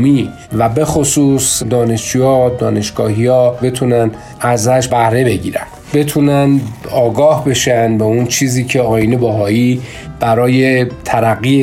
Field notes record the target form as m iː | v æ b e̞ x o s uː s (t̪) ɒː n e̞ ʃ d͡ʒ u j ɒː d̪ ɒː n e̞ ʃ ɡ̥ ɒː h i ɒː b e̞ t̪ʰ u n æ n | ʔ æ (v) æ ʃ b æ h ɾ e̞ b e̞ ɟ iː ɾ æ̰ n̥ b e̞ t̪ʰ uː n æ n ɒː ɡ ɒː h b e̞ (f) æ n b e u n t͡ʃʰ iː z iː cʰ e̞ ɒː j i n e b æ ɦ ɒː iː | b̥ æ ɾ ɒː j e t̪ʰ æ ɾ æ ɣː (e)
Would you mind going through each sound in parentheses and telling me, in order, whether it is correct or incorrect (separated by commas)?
incorrect, incorrect, incorrect, incorrect